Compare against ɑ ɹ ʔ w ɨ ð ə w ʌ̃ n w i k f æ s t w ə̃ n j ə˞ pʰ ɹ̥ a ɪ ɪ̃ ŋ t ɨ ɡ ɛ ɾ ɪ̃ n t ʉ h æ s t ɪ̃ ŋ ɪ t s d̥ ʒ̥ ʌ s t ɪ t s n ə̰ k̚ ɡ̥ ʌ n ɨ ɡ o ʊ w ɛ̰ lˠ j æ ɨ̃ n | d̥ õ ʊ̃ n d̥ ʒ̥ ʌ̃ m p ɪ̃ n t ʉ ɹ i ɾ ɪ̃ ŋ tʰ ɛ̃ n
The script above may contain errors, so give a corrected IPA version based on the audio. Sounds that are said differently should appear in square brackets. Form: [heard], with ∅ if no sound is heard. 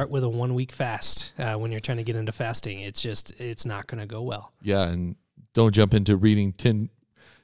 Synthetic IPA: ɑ ɹ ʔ w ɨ ð ə w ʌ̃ n w i k f æ s t w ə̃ n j ə˞ [tʰ] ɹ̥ a ɪ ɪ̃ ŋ t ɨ ɡ ɛ ɾ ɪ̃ n t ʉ [f] æ s t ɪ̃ ŋ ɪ t s d̥ ʒ̥ ʌ s t ɪ t s n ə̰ [t̚] ɡ̥ ʌ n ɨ ɡ o ʊ w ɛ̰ lˠ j æ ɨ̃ n | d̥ õ ʊ̃ n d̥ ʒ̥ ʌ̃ m p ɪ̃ n t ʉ ɹ i ɾ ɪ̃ ŋ tʰ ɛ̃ n